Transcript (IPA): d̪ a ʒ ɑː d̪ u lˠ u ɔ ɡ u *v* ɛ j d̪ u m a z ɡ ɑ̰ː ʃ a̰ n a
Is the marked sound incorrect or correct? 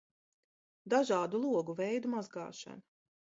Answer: correct